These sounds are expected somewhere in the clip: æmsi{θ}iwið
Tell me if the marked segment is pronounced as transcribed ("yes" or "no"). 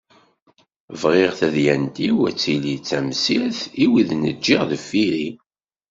yes